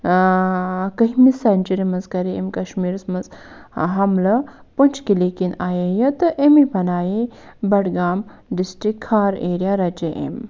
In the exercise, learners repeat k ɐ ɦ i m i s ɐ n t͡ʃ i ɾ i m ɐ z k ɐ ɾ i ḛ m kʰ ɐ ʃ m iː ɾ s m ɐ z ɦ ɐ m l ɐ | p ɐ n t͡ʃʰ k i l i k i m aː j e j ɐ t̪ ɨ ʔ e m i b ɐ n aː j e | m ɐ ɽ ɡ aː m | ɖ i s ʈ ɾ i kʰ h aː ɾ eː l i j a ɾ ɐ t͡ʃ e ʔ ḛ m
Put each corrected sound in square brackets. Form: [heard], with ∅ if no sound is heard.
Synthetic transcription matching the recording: k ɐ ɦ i m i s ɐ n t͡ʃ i ɾ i m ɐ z k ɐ ɾ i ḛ m [k] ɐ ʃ m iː ɾ s m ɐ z ɦ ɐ m l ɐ | p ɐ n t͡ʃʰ k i l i k i [n] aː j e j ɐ t̪ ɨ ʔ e m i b ɐ n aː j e | [b] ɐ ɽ ɡ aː m | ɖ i s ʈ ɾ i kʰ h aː ɾ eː [ɾ] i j a ɾ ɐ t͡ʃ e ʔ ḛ m